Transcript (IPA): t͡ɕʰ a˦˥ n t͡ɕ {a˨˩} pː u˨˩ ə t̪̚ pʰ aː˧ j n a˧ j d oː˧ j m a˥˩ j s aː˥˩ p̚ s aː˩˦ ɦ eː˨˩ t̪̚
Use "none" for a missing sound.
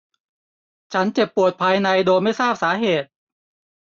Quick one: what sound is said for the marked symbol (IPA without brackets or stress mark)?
e˨˩